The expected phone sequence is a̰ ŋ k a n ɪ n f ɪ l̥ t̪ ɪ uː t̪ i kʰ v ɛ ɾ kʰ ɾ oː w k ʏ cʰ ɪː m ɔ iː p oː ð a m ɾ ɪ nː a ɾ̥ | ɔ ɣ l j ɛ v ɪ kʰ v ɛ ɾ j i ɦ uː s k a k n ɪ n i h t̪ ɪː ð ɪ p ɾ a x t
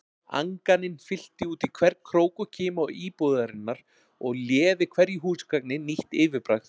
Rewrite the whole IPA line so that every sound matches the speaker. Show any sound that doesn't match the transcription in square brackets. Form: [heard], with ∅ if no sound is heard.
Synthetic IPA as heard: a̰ ŋ k a n ɪ n f ɪ l̥ t̪ ɪ uː t̪ i kʰ v ɛ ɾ kʰ ɾ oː w k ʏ cʰ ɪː m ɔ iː p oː ð a [∅] ɾ ɪ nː a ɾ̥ | ɔ ɣ l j [ɛː] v ɪ kʰ v ɛ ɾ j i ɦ uː s k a k n ɪ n i h t̪ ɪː [v] ɪ p ɾ a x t